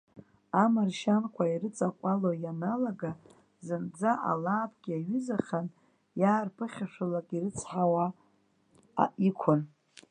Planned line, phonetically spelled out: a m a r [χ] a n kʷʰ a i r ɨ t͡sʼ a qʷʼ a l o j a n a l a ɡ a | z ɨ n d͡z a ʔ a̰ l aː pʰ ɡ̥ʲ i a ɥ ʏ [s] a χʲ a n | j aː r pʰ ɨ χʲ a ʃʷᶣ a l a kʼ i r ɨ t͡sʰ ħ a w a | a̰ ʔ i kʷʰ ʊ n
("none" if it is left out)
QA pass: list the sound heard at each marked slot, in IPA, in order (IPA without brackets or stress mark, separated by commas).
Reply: ʃ, z